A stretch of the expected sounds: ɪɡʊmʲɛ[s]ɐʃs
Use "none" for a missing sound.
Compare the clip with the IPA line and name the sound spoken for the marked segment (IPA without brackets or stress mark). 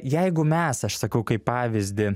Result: s